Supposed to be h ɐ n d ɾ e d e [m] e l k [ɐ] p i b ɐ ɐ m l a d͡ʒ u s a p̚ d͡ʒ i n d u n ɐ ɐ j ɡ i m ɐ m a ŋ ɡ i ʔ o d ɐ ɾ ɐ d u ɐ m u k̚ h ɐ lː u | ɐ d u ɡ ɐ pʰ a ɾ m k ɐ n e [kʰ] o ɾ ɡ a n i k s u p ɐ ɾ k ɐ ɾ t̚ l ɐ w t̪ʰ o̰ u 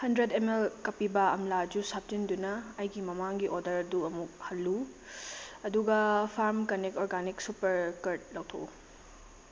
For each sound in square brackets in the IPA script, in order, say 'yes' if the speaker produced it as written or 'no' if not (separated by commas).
yes, yes, no